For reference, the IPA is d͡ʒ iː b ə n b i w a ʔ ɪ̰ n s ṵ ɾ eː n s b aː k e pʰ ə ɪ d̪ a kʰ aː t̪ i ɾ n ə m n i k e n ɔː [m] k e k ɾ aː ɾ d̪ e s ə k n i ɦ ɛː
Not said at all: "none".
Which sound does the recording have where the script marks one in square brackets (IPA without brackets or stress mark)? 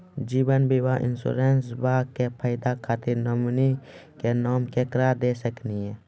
m